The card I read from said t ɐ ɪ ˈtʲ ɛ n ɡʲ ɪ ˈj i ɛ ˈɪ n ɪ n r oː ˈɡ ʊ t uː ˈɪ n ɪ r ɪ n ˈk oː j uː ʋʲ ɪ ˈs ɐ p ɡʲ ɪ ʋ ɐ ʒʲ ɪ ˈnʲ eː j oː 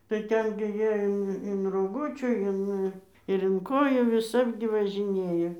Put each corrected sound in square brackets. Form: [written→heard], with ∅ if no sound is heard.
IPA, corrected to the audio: t ɐ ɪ ˈtʲ ɛ n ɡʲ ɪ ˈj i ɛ ˈɪ n ɪ n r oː ˈɡ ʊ [t→t͡ʃʲ] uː ˈɪ n ɪ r ɪ n ˈk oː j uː ʋʲ ɪ ˈs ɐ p ɡʲ ɪ ʋ ɐ ʒʲ ɪ ˈnʲ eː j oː